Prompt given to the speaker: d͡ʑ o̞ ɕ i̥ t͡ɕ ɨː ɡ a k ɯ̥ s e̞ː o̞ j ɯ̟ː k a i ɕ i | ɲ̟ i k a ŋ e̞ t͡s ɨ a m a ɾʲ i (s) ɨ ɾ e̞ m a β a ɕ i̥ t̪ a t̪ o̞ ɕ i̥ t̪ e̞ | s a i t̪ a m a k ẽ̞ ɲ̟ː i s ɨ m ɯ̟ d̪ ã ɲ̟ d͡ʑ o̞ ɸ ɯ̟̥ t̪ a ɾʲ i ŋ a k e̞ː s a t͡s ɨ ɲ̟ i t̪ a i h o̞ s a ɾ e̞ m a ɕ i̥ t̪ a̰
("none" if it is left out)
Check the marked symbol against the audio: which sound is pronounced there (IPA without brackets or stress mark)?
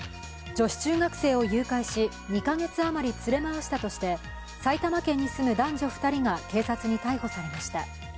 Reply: t͡s